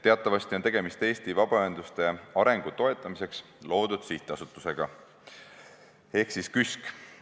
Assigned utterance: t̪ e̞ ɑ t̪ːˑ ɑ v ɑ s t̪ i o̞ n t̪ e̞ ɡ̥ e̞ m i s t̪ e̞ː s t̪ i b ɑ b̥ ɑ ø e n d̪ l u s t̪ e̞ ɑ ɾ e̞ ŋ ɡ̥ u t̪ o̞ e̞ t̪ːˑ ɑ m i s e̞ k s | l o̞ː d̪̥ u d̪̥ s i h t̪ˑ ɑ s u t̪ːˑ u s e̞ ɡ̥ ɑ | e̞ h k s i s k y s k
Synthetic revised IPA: t̪ e̞ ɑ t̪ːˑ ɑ v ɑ s t̪ i o̞ n t̪ e̞ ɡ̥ e̞ m i s t̪ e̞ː s t̪ i v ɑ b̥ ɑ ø e n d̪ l u s t̪ e̞ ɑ ɾ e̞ ŋ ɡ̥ u t̪ o̞ e̞ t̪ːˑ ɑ m i s e̞ k s | l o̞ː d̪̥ u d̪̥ s i h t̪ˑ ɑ s u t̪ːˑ u s e̞ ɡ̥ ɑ | e̞ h k s i s k y s k

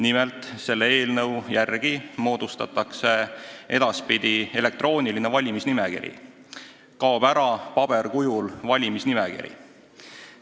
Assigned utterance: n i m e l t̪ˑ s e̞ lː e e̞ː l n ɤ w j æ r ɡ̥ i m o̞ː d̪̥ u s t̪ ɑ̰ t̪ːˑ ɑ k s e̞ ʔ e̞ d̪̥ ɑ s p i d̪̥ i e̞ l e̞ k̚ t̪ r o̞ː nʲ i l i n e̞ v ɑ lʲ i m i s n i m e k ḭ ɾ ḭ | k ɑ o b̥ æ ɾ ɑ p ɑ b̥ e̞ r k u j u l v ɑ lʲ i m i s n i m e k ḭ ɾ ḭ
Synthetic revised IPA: n i m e l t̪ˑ s e̞ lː e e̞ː l n ɤ w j æ r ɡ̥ i m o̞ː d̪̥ u s t̪ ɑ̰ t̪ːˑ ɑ k s e̞ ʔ e̞ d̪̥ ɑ s p i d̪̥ i e̞ l e̞ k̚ t̪ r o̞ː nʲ i l i n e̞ v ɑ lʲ i m i s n i m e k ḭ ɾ ḭ | k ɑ o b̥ æ ɾ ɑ p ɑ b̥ e̞ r k u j u l v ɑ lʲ i m i s n i m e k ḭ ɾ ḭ

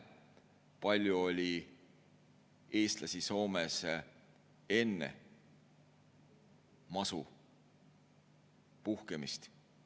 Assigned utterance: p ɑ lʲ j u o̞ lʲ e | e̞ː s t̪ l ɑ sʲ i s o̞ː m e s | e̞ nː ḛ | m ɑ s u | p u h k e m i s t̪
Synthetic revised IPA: p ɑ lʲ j u o̞ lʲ i | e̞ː s t̪ l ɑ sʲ i s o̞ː m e s | e̞ nː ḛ | m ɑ s u | p u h k e m i s t̪

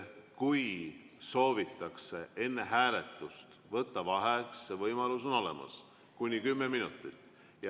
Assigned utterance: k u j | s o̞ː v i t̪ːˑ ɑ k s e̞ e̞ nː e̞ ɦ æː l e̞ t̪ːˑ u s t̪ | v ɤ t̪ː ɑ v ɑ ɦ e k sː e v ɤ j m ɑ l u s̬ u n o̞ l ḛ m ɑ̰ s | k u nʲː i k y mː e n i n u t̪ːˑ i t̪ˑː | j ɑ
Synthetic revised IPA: k u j | s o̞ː v i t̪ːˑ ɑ k s e̞ e̞ nː e̞ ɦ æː l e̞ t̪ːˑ u s t̪ | v ɤ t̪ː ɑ v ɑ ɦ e k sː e v ɤ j m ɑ l u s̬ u n o̞ l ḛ m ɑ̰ s | k u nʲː i k y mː e m i n u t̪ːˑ i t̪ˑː | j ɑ

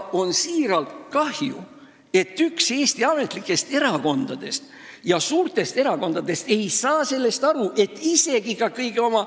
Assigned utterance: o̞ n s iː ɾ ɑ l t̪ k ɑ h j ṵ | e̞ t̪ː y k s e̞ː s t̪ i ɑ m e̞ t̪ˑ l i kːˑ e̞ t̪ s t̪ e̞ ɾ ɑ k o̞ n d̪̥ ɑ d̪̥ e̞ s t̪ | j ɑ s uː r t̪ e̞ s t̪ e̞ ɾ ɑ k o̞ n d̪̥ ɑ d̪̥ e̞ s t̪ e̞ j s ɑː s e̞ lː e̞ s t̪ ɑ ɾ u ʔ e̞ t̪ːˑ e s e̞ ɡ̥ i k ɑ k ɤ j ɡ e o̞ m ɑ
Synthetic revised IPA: o̞ n s iː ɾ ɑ l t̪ k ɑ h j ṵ | e̞ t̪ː y k s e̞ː s t̪ i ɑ m e̞ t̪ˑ l i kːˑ e̞ s t̪ e̞ ɾ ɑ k o̞ n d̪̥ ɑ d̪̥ e̞ s t̪ | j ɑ s uː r t̪ e̞ s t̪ e̞ ɾ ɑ k o̞ n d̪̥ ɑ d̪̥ e̞ s t̪ e̞ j s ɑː s e̞ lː e̞ s t̪ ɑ ɾ u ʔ e̞ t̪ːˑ i s e̞ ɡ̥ i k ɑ k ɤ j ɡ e o̞ m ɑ

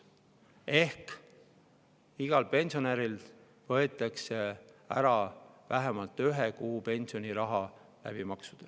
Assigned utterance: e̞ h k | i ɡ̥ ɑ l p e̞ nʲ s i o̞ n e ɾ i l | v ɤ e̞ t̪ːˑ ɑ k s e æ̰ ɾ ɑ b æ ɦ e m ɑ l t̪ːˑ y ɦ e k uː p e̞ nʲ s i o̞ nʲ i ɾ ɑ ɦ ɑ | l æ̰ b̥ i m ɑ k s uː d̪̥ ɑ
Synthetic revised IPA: e̞ h k | i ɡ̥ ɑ l p e̞ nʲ s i o̞ n e ɾ i l | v ɤ e̞ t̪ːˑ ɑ k s e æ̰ ɾ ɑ v æ ɦ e m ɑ l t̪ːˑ y ɦ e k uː p e̞ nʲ s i o̞ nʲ i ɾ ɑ ɦ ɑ | l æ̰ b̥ i m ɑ k s u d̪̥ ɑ

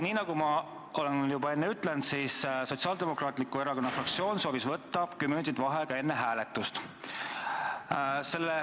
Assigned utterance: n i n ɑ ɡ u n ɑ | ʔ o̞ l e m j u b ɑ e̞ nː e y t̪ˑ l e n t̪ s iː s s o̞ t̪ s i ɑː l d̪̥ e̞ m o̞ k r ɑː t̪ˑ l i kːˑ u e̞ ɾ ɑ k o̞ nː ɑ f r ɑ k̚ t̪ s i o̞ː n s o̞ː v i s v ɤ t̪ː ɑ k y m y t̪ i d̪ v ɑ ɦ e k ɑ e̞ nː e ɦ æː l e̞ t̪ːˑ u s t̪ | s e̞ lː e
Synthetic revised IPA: n iː n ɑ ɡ u m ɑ | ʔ o̞ l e n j u b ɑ e̞ nː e y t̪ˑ l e n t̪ s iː s s o̞ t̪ s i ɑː l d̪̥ e̞ m o̞ k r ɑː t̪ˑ l i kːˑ u e̞ ɾ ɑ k o̞ nː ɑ f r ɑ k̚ t̪ s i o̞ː n s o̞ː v i s v ɤ t̪ː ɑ k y m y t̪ i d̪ v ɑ ɦ e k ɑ e̞ nː e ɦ æː l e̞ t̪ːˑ u s t̪ | s e̞ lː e

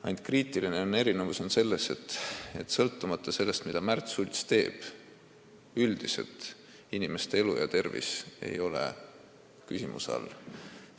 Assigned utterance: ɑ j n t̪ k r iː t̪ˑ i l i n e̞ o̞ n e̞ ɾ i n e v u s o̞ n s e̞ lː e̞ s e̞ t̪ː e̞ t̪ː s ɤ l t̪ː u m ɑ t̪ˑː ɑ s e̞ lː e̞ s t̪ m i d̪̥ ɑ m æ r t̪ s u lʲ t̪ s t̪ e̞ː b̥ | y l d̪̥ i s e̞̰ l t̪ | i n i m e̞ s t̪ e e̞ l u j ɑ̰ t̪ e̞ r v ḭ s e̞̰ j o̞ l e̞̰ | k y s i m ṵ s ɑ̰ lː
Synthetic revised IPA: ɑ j n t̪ k r iː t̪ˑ i l i n e̞ o̞ n e̞ ɾ i n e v u s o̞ n s e̞ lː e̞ s e̞ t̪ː e̞ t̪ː s ɤ l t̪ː u m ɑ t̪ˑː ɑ s e̞ lː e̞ s t̪ m i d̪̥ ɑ m æ r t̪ s u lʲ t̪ s t̪ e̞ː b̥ | y l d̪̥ i s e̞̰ l t̪ | i n i m e̞ s t̪ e e̞ l u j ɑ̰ t̪ e̞ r v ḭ s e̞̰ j o̞ l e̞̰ | k y s i m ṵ s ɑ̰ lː

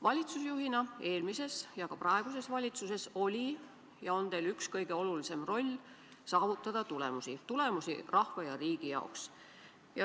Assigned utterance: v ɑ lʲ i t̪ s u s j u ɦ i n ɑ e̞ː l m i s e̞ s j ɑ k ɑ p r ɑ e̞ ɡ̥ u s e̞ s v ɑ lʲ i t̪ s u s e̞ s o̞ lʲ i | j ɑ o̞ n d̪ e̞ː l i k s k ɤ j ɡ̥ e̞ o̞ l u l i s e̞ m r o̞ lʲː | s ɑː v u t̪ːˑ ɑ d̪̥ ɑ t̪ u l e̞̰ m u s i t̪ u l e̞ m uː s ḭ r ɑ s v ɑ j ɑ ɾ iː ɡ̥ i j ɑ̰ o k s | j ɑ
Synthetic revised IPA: v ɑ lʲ i t̪ s u s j u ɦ i n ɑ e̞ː l m i s e̞ s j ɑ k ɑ p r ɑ e̞ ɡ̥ u s e̞ s v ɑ lʲ i t̪ s u s e̞ s o̞ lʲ i | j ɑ o̞ n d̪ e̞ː l y k s k ɤ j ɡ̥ e̞ o̞ l u l i s e̞ m r o̞ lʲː | s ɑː v u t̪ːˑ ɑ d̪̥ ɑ t̪ u l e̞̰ m u s i t̪ u l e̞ m u s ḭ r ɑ h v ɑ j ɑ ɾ iː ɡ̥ i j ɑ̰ o k s | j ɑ

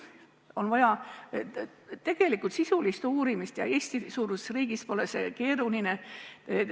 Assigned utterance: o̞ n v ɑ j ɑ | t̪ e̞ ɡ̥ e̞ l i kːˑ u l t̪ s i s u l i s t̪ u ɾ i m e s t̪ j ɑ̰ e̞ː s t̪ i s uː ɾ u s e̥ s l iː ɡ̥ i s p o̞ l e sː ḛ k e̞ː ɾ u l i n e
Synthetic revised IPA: o̞ n v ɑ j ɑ | t̪ e̞ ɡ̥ e̞ l i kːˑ u l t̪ s i s u l i s t̪ uː ɾ i m i s t̪ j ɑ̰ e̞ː s t̪ i s uː ɾ u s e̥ s r iː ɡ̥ i s p o̞ l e s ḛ k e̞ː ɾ u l i n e

